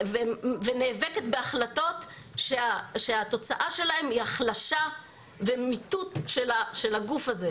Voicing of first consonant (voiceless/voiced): voiced